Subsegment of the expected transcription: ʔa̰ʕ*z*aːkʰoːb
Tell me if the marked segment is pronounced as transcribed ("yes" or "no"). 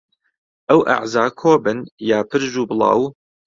yes